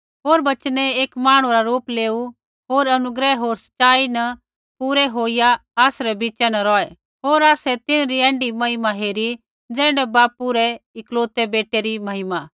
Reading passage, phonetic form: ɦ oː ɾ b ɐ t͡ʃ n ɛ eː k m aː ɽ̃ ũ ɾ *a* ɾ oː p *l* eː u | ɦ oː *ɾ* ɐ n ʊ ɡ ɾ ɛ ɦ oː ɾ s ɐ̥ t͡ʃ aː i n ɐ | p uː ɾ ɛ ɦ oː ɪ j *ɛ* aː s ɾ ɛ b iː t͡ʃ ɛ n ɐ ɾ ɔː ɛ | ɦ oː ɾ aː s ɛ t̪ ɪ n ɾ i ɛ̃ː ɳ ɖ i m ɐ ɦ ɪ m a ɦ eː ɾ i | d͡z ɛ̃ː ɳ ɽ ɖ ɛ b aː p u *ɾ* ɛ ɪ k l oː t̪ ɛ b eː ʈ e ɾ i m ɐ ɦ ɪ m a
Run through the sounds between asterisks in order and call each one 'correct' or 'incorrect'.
correct, correct, correct, incorrect, correct

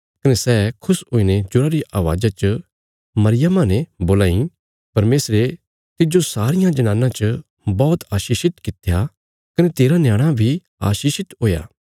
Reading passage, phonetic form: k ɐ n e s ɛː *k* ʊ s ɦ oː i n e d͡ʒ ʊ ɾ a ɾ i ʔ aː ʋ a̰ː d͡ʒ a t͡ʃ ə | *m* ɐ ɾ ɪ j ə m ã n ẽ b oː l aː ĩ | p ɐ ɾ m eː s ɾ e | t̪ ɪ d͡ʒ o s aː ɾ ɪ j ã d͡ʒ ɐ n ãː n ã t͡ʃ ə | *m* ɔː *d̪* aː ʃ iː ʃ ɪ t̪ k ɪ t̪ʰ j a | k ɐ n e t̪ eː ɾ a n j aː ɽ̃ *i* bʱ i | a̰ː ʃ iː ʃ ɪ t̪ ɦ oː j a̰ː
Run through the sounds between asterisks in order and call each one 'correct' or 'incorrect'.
incorrect, correct, incorrect, incorrect, incorrect

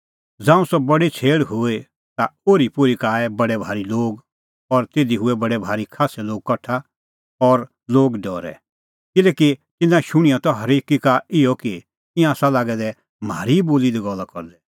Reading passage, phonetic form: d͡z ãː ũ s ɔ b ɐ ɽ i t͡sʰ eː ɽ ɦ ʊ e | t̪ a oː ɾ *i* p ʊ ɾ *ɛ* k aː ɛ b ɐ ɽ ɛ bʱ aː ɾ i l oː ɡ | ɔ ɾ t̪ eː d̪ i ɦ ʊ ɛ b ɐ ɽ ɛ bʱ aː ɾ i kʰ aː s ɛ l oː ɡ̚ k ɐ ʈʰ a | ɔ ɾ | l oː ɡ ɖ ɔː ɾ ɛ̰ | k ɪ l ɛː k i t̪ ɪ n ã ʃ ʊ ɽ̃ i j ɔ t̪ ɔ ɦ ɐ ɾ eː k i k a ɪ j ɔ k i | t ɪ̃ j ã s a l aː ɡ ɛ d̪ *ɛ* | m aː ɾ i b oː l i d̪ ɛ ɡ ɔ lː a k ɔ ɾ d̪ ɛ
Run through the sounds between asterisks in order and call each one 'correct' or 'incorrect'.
correct, incorrect, correct

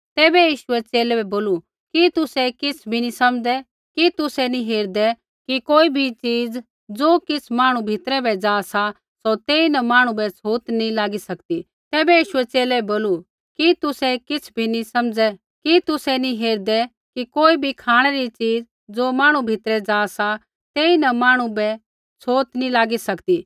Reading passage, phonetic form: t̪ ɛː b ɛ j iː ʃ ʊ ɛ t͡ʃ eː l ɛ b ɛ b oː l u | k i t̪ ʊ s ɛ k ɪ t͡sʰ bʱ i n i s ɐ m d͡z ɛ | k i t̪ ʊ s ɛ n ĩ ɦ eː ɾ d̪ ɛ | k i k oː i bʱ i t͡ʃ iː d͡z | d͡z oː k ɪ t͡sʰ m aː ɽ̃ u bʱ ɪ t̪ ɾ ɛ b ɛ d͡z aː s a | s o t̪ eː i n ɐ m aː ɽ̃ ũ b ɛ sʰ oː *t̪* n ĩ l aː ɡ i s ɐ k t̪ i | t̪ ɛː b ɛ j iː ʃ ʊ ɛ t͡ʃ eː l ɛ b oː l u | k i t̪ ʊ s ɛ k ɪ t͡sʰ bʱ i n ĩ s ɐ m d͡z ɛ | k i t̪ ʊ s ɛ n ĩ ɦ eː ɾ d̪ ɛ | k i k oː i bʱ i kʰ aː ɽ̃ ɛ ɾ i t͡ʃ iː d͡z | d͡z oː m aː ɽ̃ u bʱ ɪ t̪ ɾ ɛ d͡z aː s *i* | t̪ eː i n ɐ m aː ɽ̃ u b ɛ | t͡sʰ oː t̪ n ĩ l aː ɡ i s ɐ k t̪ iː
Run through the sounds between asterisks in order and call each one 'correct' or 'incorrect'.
correct, incorrect

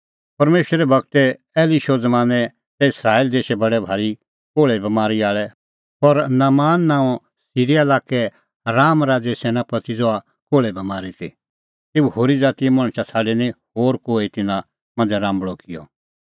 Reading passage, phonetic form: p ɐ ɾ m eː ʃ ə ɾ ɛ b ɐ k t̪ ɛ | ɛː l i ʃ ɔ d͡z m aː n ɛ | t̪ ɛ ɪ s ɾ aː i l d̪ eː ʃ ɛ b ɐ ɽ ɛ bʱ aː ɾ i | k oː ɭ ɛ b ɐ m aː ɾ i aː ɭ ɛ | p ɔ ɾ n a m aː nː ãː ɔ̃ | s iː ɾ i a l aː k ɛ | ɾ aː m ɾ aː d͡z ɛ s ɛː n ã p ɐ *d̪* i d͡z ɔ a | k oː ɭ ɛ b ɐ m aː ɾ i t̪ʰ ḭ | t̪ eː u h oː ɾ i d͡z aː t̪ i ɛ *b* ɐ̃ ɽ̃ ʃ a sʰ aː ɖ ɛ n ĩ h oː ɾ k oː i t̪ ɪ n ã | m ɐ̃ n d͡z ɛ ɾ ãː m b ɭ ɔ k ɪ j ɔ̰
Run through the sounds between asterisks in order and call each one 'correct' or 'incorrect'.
incorrect, incorrect

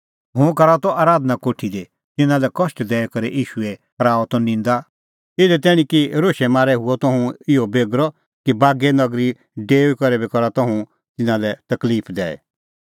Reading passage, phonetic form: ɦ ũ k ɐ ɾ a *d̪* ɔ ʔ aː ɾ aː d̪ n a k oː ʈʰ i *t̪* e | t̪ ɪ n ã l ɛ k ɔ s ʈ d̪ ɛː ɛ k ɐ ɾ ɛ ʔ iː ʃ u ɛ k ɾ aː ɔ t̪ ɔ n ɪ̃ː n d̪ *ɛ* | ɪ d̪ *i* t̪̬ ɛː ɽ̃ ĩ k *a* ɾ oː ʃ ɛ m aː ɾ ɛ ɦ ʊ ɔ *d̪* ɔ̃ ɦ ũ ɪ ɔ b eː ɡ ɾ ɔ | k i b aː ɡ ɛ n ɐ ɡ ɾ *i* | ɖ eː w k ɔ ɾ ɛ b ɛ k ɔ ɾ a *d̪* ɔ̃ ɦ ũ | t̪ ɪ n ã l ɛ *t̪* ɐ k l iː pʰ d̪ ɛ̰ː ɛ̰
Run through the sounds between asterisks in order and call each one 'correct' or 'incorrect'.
incorrect, incorrect, incorrect, incorrect, incorrect, incorrect, correct, incorrect, correct

